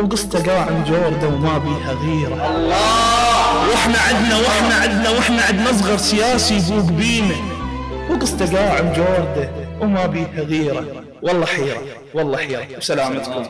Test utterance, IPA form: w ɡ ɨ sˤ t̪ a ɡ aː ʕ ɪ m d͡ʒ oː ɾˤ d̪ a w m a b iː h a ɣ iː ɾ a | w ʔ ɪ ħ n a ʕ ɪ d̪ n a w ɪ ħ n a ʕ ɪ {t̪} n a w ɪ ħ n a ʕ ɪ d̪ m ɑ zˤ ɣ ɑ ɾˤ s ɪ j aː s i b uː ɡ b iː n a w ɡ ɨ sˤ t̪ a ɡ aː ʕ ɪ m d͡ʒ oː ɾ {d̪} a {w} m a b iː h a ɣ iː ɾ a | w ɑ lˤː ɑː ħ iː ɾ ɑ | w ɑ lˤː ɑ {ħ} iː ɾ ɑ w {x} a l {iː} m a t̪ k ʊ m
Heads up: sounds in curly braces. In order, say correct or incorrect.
incorrect: d̪, correct, correct, correct, incorrect: s, incorrect: aː

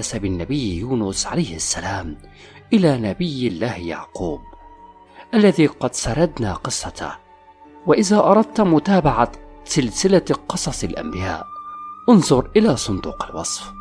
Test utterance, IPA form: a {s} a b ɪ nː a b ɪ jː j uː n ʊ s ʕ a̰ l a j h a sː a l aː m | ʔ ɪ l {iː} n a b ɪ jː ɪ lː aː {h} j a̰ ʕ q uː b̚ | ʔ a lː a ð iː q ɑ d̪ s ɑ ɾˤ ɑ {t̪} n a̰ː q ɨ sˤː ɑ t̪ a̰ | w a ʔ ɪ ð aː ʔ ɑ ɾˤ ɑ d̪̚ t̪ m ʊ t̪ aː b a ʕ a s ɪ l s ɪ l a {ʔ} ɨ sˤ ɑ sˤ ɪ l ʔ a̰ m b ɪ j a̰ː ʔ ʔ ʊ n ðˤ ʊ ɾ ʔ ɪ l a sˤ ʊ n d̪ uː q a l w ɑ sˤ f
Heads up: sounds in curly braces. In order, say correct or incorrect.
correct, incorrect: aː, correct, incorrect: d̪, incorrect: q

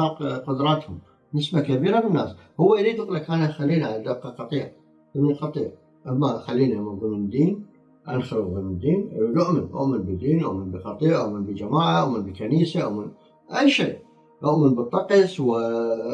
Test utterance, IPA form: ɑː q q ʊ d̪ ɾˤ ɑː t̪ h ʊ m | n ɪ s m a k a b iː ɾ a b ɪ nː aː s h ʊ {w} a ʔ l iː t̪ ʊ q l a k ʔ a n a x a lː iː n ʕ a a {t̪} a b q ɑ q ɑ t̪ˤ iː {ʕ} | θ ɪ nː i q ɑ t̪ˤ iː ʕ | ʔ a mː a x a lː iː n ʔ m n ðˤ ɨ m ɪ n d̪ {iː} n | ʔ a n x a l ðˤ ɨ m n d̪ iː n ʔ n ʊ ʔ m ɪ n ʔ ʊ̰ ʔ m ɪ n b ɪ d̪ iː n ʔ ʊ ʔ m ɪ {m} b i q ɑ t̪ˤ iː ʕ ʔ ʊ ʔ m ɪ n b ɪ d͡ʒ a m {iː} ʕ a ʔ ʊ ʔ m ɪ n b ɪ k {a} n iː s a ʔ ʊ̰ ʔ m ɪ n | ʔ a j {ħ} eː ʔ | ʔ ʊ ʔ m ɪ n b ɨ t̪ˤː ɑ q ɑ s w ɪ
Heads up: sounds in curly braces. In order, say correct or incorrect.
incorrect: wː, incorrect: d̪, correct, correct, incorrect: n, incorrect: aː, correct, incorrect: ʃ

